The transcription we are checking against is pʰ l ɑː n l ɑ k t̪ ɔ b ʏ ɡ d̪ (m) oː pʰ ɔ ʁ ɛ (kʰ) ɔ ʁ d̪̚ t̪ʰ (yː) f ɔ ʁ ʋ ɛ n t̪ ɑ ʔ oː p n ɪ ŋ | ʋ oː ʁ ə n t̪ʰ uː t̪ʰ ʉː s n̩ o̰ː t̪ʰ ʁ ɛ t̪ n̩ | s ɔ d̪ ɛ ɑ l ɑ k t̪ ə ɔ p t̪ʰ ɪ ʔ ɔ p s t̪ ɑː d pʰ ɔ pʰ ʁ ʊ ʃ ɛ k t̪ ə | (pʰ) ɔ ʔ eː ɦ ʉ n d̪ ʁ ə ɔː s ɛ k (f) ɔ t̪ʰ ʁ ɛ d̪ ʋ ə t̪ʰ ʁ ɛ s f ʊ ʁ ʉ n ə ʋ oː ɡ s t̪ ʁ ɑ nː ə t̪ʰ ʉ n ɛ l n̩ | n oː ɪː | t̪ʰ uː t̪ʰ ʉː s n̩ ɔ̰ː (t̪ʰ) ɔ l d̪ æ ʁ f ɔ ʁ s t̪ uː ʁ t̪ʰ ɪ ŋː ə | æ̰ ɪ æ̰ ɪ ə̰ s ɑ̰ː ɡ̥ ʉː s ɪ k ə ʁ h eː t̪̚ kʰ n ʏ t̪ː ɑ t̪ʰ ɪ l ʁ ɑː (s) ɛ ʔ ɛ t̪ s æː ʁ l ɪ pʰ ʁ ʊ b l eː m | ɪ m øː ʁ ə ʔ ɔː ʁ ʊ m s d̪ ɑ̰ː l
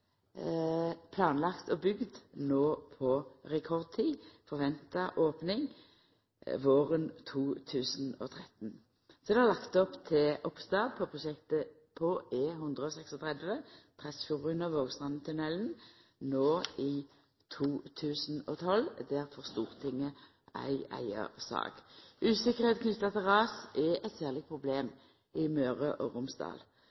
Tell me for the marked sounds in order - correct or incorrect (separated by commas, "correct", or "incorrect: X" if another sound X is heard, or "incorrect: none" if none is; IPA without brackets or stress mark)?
incorrect: n, correct, incorrect: iː, correct, incorrect: s, correct, correct